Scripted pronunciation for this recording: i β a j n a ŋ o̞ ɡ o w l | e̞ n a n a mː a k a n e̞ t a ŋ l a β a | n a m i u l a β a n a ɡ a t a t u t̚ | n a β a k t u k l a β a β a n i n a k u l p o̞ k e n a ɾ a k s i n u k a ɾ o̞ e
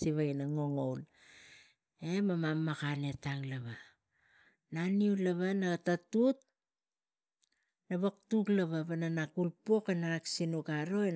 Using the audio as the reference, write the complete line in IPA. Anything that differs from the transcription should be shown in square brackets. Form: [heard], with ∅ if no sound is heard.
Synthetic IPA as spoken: i β a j n a ŋ o̞ [ŋ] o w l | e̞ [m] a [m] a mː a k a n e̞ t a ŋ l a β a | n a [n] i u l a β a n a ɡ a t a t u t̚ | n a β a k t u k l a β a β a n [a] n a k u l p o̞ k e n a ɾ a k s i n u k a ɾ o̞ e